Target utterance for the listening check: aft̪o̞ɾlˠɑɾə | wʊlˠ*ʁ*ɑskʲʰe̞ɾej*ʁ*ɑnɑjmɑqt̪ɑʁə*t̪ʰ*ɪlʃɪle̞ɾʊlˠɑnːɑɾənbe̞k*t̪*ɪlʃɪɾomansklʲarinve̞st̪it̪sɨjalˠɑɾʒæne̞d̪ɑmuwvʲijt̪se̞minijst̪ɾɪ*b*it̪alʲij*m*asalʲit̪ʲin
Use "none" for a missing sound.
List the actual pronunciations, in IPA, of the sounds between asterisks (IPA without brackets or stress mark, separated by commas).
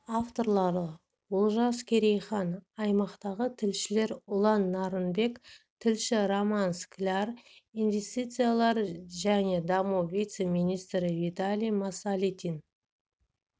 ʒ, χ, t̪ʰ, t̪ʰ, v, m